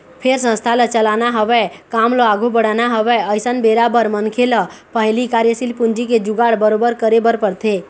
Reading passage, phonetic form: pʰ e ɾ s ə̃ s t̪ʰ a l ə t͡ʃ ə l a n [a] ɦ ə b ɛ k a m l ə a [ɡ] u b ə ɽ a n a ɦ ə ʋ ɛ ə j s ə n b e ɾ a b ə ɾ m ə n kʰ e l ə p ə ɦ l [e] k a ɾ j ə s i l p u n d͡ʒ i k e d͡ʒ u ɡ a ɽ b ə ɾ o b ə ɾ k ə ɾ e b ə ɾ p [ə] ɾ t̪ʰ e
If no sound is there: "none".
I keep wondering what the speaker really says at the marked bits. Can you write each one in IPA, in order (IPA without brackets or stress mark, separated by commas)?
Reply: a, ɡ, i, ə